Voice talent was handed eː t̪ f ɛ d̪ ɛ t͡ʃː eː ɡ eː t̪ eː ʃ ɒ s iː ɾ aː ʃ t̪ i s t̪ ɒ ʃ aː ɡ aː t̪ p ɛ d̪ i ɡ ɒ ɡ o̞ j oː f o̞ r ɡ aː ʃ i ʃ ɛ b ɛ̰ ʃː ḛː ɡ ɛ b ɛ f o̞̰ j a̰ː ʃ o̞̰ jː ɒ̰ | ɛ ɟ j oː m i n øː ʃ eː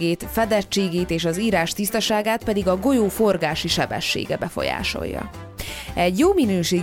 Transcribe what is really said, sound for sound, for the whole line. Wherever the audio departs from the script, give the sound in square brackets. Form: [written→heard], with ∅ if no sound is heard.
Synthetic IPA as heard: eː t̪ f ɛ d̪ ɛ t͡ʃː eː ɡ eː t̪ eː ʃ ɒ [s→z] iː ɾ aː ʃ t̪ i s t̪ ɒ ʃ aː ɡ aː t̪ p ɛ d̪ i ɡ ɒ ɡ o̞ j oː f o̞ r ɡ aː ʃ i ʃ ɛ b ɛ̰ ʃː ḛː ɡ ɛ b ɛ f o̞̰ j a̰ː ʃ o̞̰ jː ɒ̰ | ɛ ɟ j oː m i n øː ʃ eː